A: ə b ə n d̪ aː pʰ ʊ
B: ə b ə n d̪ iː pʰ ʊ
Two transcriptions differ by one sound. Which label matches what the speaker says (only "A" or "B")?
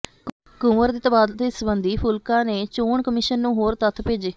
B